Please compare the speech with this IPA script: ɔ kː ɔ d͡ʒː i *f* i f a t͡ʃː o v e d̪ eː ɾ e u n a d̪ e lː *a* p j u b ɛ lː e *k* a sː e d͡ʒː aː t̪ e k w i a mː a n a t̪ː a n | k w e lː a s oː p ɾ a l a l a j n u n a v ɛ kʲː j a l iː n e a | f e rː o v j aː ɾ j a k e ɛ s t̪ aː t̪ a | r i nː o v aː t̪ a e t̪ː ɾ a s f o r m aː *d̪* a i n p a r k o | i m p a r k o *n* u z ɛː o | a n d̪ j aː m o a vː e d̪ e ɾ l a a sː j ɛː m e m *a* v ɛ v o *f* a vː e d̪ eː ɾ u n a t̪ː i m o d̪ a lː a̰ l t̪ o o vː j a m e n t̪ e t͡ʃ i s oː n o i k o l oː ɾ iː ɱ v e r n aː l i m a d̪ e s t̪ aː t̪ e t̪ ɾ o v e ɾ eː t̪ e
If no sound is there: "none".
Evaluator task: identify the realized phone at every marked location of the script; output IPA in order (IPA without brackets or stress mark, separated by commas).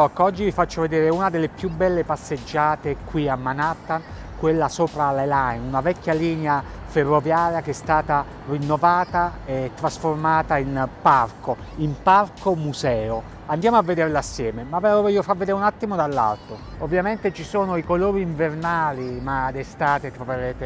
v, e, p, t̪, m, a, f